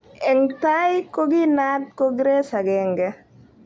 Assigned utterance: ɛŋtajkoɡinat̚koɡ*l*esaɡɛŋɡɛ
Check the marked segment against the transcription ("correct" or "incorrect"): incorrect